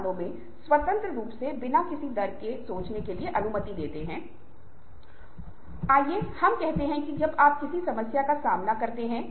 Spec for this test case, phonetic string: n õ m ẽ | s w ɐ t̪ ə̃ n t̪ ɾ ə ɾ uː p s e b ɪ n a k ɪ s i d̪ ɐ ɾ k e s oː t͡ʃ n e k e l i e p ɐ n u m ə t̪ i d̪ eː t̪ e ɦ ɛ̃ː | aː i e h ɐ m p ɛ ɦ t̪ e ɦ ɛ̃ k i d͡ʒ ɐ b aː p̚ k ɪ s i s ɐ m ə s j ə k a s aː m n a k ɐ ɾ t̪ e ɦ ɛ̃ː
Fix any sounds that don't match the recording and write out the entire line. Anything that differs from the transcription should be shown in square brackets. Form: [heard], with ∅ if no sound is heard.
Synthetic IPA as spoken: n õ m ẽ | s w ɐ t̪ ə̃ n t̪ ɾ ə ɾ uː p s e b ɪ n a k ɪ s i d̪ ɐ ɾ k e s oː t͡ʃ n e k e l i e [ʔ] ɐ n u m ə t̪ i d̪ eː t̪ e ɦ ɛ̃ː | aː [j] e h ɐ m [k] ɛ ɦ t̪ e ɦ ɛ̃ k i d͡ʒ ɐ b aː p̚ k ɪ s i s ɐ m ə s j [a] k a s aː m n a k ɐ ɾ t̪ e ɦ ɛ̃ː